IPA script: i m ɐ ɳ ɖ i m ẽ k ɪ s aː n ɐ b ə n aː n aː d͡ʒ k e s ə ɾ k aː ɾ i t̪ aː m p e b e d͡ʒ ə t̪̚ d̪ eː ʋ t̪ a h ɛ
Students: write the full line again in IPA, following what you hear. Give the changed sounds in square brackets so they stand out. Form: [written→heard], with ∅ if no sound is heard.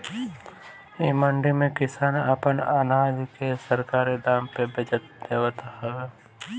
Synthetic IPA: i m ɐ ɳ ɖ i m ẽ k ɪ s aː n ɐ [b→p] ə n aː n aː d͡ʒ k e s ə ɾ k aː ɾ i [t̪→d̪] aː m p e b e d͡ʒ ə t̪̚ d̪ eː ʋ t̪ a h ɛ